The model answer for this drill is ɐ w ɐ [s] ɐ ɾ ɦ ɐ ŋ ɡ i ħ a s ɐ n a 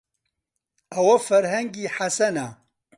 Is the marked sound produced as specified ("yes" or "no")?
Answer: no